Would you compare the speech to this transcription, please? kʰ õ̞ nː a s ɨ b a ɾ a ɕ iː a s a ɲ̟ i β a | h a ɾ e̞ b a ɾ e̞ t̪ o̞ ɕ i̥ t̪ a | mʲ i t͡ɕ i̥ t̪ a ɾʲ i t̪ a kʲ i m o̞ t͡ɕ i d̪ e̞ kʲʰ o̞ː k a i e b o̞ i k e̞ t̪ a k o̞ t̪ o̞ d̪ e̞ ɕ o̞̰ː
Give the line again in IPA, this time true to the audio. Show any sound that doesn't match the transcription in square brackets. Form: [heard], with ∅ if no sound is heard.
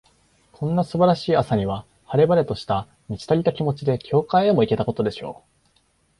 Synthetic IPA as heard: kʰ õ̞ nː a s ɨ b a ɾ a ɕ iː a s a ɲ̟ i β a | h a ɾ e̞ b a ɾ e̞ t̪ o̞ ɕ i̥ t̪ a | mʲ i t͡ɕ i̥ t̪ a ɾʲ i t̪ a kʲ i m o̞ t͡ɕ i d̪ e̞ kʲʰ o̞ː k a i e [m] o̞ i k e̞ t̪ a k o̞ t̪ o̞ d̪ e̞ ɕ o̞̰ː